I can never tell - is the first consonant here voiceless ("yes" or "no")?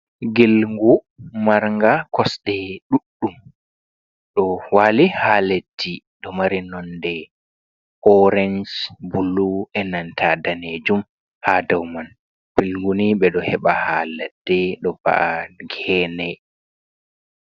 no